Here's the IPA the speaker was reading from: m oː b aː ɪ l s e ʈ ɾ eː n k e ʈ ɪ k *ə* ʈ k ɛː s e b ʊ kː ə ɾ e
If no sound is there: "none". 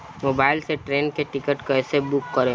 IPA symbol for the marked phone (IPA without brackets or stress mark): ə